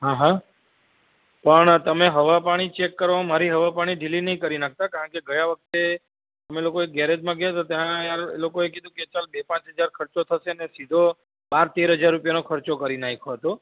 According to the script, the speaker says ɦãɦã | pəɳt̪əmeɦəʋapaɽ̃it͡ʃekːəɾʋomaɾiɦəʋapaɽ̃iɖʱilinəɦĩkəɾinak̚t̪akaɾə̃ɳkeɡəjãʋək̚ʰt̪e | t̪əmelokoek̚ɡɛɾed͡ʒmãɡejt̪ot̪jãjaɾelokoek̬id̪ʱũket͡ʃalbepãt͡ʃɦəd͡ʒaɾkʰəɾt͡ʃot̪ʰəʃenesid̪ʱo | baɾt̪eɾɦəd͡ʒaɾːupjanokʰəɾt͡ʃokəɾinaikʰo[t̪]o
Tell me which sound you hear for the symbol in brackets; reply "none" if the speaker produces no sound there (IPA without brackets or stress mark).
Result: t̪